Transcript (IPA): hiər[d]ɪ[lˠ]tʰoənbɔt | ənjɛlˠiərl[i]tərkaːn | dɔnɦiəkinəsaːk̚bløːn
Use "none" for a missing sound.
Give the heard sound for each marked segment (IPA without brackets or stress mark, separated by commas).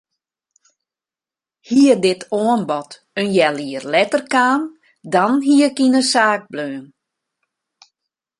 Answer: d, none, ɛ